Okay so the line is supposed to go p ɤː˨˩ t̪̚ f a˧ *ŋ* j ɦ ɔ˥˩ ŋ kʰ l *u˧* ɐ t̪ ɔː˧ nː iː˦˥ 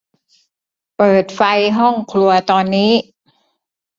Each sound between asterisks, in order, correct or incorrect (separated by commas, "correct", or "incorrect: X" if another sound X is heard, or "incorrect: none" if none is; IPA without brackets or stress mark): incorrect: none, correct